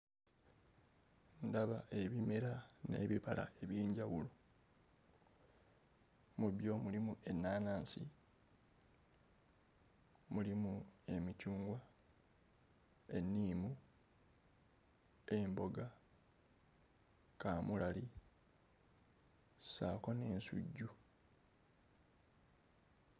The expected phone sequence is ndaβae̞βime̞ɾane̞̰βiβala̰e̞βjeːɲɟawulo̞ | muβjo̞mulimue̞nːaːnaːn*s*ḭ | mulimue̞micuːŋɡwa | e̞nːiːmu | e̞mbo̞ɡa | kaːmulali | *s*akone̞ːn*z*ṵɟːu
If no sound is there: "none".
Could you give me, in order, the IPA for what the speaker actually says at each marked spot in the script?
s, s, s

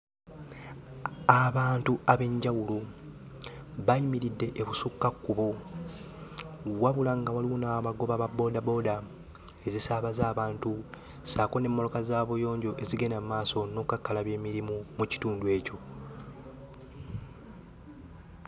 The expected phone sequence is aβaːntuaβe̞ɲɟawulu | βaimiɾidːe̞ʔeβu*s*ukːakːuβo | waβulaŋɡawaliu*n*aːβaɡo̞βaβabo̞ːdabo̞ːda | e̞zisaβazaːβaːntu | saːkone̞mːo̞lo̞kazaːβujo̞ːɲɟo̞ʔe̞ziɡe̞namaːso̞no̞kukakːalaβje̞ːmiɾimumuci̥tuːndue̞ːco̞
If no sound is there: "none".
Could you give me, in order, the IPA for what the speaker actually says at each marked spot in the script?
s, n

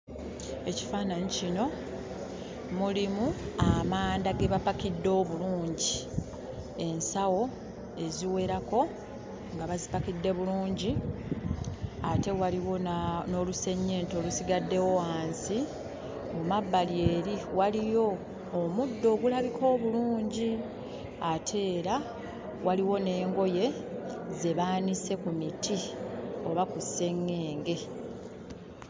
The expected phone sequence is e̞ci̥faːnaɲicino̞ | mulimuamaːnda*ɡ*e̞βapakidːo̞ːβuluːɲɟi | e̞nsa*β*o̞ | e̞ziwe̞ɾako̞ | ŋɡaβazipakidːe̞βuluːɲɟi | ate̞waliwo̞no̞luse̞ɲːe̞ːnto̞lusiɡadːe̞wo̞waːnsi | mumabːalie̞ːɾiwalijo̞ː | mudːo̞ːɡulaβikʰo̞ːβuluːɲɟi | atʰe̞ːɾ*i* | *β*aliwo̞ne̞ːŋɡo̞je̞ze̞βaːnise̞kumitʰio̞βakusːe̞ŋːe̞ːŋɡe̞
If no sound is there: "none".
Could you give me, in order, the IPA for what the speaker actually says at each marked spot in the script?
ɡ, w, a, w

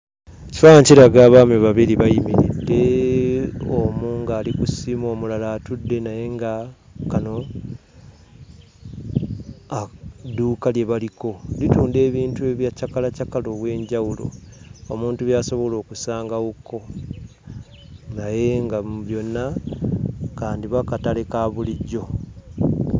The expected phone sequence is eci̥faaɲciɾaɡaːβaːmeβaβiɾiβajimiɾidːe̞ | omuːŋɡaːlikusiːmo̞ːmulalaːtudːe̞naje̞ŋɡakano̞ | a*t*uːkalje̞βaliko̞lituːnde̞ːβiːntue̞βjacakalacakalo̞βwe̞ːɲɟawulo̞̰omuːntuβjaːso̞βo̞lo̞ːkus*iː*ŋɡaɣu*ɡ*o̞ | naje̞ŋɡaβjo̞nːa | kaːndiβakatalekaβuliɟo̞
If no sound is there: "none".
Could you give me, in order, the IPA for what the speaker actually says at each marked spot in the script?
d, aː, k

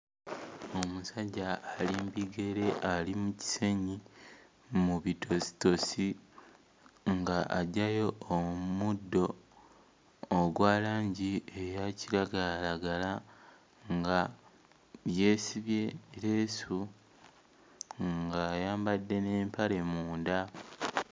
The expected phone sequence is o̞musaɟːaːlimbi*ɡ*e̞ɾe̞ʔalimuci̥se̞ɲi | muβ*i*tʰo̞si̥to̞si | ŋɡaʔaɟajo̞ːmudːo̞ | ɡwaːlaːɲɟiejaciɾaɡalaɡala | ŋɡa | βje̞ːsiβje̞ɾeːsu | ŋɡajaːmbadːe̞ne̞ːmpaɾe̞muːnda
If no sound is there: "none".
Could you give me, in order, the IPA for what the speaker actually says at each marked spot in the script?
ɡ, i

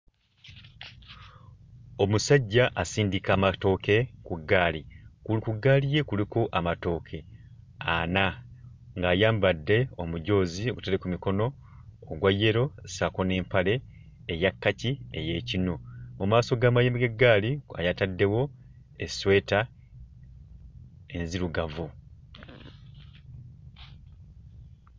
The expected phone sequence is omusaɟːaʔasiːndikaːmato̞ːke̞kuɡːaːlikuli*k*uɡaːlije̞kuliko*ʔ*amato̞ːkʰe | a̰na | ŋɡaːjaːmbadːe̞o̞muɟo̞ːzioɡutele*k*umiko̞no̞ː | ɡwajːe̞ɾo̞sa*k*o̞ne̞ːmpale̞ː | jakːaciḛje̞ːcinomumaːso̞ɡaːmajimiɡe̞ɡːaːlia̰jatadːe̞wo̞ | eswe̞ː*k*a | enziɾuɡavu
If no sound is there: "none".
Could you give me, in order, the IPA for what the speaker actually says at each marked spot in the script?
k, ʔ, k, k, t

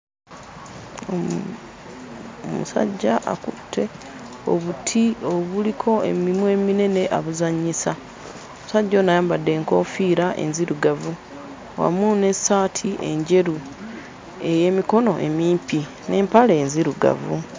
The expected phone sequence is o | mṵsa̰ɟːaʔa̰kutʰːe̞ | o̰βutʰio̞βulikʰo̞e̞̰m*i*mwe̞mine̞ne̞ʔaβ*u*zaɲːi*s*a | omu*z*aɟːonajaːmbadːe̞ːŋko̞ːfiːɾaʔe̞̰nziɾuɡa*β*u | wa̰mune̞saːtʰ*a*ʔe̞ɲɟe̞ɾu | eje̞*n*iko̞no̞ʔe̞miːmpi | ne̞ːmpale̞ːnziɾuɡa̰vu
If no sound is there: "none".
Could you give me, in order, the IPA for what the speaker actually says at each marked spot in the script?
i, u, s, s, v, i, m

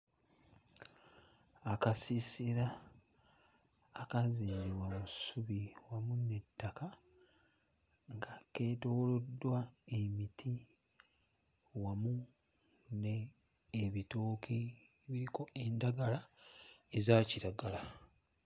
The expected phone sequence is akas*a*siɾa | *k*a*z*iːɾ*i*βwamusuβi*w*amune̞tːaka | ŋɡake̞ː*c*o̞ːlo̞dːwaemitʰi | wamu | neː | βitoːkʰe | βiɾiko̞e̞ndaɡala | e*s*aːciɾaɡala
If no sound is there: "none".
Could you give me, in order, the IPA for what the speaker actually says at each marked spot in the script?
i, k, z, i, w, t, z

